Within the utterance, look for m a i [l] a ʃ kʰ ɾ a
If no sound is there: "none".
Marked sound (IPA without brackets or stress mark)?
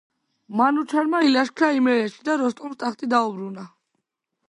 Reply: l